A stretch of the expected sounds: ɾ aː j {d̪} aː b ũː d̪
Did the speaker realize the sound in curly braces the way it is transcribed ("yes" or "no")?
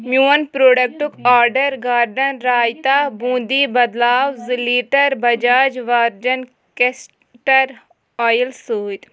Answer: no